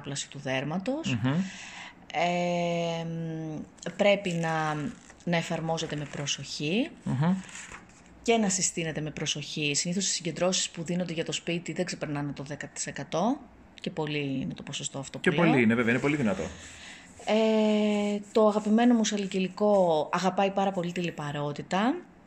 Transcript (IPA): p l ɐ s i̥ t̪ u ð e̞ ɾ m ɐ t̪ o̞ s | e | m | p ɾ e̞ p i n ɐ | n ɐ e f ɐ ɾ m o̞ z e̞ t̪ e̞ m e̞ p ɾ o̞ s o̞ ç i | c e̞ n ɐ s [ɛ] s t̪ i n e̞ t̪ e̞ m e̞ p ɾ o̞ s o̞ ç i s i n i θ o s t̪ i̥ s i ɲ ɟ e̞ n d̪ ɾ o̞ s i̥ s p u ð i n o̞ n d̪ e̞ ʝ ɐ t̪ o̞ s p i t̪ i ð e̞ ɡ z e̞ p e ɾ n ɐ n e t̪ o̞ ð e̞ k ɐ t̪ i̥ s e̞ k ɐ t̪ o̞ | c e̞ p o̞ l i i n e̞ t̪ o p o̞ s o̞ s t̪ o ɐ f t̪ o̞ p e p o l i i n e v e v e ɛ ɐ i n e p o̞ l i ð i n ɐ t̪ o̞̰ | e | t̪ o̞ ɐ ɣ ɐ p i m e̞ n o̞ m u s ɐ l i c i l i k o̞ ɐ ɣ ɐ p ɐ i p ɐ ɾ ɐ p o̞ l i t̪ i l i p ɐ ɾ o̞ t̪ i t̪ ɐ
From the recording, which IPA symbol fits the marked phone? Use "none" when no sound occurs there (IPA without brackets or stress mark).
i